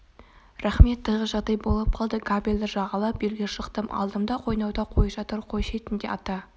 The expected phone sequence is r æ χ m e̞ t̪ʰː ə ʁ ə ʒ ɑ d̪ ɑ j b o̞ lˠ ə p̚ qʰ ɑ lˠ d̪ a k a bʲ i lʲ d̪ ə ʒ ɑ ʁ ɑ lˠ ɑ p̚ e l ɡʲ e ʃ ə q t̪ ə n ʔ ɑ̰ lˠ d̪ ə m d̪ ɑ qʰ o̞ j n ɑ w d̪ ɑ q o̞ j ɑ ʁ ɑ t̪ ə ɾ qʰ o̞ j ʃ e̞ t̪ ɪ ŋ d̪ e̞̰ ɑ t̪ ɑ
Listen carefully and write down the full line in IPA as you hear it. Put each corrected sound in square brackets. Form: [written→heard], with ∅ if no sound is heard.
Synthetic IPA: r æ χ m e̞ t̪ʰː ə ʁ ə ʒ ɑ d̪ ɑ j b o̞ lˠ ə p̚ qʰ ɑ lˠ d̪ [a→ə] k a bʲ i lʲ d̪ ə ʒ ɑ ʁ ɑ lˠ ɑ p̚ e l ɡʲ e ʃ ə q t̪ ə [n→m] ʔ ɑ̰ lˠ d̪ ə m d̪ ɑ qʰ o̞ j n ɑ w d̪ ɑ [q→qʰ] o̞ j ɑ [ʁ→ʒ] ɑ t̪ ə ɾ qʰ o̞ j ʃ e̞ t̪ ɪ [ŋ→n] d̪ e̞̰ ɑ t̪ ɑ